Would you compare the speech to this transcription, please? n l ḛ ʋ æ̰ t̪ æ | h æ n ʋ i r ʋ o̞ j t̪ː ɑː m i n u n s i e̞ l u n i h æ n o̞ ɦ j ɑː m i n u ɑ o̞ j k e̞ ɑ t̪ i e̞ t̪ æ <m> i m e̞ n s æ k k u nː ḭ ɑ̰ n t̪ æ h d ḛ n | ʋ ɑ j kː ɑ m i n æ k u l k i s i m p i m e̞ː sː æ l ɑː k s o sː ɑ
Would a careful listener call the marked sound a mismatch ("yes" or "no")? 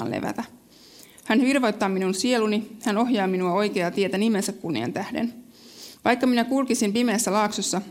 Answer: yes